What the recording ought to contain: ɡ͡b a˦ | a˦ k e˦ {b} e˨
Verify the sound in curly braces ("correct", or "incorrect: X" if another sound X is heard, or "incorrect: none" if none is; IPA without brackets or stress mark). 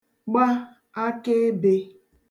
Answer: correct